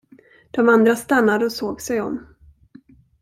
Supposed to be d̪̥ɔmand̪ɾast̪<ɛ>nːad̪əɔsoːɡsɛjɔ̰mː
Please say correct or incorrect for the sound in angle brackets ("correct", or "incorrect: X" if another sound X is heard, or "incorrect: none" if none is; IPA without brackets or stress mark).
incorrect: a